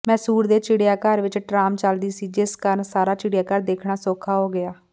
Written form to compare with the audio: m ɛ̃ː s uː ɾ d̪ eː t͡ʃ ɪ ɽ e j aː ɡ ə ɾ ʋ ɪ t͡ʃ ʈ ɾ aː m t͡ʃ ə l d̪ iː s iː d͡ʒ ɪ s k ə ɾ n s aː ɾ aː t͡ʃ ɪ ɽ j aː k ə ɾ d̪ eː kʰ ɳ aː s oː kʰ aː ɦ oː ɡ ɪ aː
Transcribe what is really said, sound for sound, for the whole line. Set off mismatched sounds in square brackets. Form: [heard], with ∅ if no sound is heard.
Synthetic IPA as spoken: m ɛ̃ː s uː ɾ d̪ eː t͡ʃ ɪ ɽ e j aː [k] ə ɾ ʋ ɪ t͡ʃ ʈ ɾ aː m t͡ʃ ə l d̪ iː s iː d͡ʒ ɪ s k ə ɾ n s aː ɾ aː t͡ʃ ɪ ɽ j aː k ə ɾ d̪ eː kʰ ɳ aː s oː kʰ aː ɦ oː ɡ ɪ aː